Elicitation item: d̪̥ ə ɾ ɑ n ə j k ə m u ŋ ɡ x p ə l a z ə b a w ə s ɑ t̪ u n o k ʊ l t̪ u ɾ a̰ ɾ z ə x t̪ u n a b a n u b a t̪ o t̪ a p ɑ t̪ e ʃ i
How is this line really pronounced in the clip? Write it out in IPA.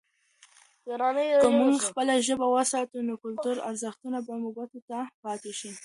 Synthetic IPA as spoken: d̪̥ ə ɾ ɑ n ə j k ə m u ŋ ɡ x p ə l a ʒ ə b a w ə s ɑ t̪ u n o k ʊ l t̪ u ɾ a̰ ɾ z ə x t̪ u n a b a m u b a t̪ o t̪ a p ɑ t̪ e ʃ i